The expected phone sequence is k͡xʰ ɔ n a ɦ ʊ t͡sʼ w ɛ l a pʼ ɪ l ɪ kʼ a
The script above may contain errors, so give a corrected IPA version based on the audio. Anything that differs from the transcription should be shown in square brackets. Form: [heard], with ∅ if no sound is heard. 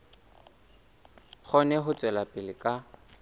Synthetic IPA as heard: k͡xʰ ɔ n [ɛ] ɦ ʊ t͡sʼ w ɛ l a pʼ ɪ l ɪ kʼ a